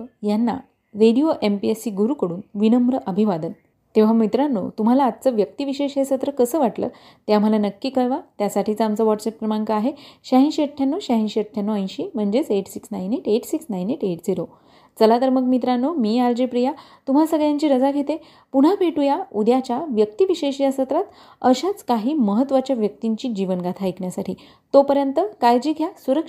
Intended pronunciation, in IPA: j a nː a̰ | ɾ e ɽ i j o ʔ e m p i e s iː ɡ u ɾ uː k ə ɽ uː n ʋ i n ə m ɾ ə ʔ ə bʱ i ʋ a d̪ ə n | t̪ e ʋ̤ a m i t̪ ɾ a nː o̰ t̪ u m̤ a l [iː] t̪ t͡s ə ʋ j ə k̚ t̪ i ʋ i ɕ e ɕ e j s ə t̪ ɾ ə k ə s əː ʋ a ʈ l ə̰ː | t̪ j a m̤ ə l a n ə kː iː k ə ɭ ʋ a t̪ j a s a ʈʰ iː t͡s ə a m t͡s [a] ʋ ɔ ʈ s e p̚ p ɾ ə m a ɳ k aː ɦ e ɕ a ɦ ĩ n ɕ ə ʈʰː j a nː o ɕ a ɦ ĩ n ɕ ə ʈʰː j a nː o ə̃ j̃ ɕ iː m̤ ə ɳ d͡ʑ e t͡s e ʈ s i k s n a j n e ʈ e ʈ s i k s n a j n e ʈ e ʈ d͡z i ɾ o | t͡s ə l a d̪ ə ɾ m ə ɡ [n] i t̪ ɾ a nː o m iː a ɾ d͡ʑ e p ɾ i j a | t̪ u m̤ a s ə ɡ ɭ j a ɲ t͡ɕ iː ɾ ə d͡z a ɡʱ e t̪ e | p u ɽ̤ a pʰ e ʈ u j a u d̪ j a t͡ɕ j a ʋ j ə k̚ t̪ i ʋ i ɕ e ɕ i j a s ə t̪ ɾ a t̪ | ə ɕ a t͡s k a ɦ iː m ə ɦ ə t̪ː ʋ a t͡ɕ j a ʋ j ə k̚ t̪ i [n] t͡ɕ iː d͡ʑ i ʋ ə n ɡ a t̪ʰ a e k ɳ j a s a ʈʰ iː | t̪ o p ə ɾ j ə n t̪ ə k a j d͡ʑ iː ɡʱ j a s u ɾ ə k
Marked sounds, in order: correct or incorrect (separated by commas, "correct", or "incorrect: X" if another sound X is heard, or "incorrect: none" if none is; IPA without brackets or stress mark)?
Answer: incorrect: aː, incorrect: ə, incorrect: m, incorrect: ɲ